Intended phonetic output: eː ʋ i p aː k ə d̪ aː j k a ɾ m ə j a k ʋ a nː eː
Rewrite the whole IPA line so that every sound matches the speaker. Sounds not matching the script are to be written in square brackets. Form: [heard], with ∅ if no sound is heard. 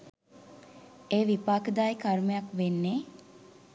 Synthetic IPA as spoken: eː ʋ i p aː k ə d̪ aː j k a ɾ m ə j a k ʋ [e] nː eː